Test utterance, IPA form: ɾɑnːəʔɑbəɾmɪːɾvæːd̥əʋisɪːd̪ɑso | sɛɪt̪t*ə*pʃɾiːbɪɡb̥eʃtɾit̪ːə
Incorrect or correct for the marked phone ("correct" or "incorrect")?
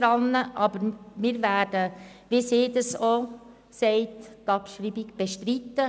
incorrect